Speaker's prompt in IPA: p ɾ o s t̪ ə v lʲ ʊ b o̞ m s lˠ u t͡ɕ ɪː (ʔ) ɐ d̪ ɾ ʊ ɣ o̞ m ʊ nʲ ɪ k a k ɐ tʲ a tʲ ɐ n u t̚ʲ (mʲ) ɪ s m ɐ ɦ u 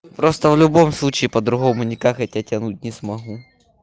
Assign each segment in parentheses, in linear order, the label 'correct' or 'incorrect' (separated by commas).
incorrect, incorrect